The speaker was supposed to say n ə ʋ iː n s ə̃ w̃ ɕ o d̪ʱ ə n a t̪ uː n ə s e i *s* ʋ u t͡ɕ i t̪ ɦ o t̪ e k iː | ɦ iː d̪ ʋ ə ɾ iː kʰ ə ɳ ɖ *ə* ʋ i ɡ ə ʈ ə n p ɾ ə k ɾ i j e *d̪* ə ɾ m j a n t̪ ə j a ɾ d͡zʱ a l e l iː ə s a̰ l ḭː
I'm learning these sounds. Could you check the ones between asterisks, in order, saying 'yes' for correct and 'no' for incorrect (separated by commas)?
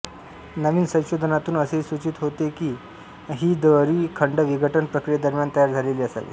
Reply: yes, yes, yes